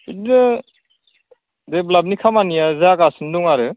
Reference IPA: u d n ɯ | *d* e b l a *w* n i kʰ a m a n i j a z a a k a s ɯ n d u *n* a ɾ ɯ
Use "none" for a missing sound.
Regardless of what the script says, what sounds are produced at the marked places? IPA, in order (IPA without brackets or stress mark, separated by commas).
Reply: d, b, ŋ